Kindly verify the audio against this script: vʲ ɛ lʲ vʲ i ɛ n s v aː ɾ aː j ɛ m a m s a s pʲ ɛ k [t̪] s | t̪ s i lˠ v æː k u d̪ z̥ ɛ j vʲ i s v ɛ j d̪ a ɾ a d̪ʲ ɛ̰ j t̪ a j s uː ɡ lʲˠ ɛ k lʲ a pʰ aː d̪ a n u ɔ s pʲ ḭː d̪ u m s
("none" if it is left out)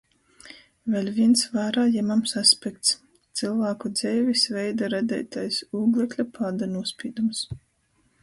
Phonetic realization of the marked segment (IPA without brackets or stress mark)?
t̪